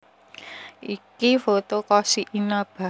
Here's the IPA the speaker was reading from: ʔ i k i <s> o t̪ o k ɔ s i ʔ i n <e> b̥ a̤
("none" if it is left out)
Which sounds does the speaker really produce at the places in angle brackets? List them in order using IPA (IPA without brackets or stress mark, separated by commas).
f, a